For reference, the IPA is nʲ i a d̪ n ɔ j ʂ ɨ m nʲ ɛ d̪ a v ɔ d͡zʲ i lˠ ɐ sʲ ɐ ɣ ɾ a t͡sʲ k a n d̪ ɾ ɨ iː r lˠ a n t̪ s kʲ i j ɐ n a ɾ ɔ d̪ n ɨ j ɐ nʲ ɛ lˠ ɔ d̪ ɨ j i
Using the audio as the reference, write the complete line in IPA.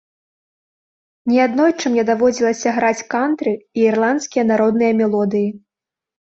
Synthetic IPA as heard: nʲ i a d̪ n ɔ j t͡ʂ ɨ m nʲ ɛ d̪ a v ɔ d͡zʲ i lˠ ɐ sʲ ɐ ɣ ɾ a t͡sʲ k a n t̪ ɾ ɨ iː r lˠ a n t̪ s kʲ i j ɐ n a ɾ ɔ d̪ n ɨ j ɐ mʲ ɛ lˠ ɔ d̪ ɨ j i